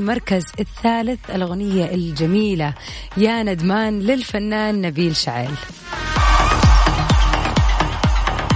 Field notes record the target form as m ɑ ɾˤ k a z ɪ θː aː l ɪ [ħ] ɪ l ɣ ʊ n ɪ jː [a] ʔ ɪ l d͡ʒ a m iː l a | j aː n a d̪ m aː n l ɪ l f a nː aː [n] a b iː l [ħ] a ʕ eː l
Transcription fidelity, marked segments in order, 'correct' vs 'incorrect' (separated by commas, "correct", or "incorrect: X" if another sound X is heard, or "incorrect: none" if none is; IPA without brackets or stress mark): incorrect: θ, correct, incorrect: nː, incorrect: ʃ